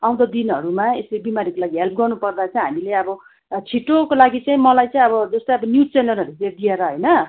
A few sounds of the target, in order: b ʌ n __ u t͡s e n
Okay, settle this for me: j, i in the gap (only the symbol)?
j